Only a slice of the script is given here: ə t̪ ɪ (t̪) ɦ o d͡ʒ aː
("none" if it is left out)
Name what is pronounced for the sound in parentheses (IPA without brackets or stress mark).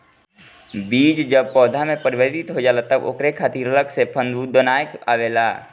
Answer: t̪